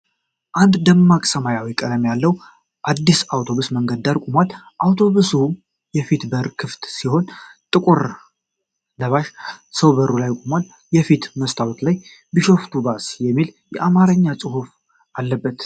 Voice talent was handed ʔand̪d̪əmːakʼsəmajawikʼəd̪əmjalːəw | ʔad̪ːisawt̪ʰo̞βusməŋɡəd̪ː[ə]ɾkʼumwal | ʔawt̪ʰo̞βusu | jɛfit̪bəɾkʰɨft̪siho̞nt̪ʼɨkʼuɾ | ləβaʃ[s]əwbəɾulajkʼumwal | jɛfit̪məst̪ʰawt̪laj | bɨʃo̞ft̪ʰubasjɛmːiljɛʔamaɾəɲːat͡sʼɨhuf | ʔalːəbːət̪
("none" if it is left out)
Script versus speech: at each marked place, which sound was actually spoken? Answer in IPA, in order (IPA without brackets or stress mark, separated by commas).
a, s